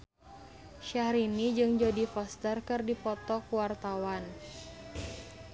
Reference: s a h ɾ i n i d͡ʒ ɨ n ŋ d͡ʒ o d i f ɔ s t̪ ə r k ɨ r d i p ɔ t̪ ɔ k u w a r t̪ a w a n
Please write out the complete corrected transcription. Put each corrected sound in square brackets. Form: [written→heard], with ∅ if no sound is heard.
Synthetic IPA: [s→ʃ] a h ɾ i n i d͡ʒ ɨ [n→∅] ŋ d͡ʒ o d i f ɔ s t̪ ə r k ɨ r d i p ɔ t̪ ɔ k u w a r t̪ a w a n